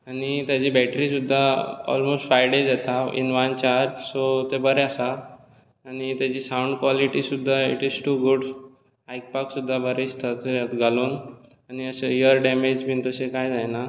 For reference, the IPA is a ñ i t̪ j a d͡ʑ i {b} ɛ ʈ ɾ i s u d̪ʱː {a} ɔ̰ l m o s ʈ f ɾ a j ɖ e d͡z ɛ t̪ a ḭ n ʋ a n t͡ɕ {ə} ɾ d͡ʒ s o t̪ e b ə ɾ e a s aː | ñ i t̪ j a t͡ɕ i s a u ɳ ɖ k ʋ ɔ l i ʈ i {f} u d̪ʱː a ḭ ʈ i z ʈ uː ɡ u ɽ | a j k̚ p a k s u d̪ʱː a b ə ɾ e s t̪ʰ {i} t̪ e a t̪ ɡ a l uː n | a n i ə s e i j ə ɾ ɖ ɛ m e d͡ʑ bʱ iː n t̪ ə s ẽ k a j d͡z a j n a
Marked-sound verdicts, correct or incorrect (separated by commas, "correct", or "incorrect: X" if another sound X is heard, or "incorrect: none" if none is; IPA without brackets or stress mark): correct, correct, incorrect: a, incorrect: s, incorrect: a